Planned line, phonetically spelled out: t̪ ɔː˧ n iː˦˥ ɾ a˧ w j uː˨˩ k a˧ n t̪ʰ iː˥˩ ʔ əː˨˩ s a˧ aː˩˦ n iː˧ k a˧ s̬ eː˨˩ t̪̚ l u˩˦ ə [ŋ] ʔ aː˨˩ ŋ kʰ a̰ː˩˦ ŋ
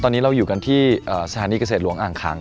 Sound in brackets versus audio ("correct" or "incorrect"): correct